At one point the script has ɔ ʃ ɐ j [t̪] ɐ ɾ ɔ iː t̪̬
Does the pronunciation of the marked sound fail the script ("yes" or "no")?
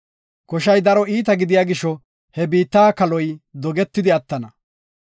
yes